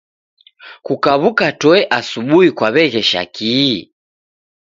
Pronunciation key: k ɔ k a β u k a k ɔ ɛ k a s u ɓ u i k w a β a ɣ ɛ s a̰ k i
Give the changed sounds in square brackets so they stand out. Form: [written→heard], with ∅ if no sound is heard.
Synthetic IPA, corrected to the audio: k [ɔ→u] k a β u k a [k→t] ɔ ɛ [k→ʔ] a s u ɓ u i k w a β [a→ɛ] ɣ ɛ [s→ʃ] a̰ k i